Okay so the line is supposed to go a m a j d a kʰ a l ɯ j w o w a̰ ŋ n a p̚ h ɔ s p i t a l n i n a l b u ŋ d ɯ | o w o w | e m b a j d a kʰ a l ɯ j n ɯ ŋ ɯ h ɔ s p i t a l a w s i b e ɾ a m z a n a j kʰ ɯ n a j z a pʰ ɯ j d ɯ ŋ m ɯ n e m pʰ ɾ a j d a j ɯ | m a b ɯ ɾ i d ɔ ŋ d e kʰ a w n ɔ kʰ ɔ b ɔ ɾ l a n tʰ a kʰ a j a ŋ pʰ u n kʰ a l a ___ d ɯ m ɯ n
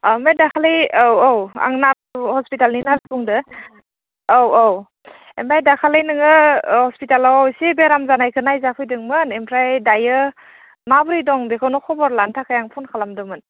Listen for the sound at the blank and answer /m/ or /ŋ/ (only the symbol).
m